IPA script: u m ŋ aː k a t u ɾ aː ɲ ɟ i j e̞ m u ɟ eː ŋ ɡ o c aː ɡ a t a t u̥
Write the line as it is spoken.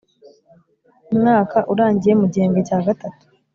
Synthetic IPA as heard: u m ŋ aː k a ʔ u ɾ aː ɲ ɟ i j e̞ m u ɟ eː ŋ ɡ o c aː ɡ a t a t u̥